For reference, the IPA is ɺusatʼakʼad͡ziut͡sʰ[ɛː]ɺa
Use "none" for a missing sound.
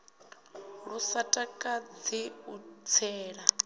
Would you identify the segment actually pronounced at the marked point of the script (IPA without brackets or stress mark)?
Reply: ɛː